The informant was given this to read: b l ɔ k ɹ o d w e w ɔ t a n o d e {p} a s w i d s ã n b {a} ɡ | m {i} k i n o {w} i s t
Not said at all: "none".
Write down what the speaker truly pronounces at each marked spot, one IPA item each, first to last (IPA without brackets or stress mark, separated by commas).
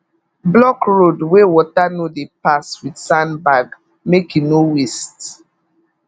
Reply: p, a, e, w